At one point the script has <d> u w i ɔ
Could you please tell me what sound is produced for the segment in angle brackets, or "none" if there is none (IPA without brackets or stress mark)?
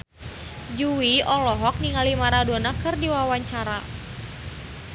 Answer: d͡ʒ